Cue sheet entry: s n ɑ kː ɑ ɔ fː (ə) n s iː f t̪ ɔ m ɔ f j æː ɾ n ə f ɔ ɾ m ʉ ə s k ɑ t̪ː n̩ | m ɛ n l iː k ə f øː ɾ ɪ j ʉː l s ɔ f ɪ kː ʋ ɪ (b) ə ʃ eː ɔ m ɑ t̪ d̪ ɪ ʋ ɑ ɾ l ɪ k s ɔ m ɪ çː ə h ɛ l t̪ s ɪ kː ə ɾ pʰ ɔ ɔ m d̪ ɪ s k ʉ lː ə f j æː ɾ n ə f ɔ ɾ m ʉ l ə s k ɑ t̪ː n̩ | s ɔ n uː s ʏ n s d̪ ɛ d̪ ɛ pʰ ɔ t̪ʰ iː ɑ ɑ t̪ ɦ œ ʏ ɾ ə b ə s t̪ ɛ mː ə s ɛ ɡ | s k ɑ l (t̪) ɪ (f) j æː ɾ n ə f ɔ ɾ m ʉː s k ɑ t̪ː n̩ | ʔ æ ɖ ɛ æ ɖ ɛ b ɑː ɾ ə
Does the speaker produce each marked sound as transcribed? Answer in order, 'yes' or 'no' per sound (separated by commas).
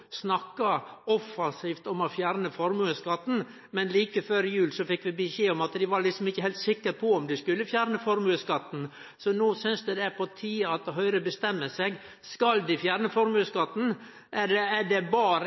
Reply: no, yes, no, yes